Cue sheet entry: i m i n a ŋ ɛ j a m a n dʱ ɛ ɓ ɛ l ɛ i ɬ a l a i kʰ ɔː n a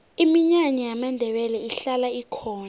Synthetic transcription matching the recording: i m i ɲ a ɲ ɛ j a m a n dʱ ɛ ɓ ɛ l ɛ i ɬ a l a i kʰ ɔː n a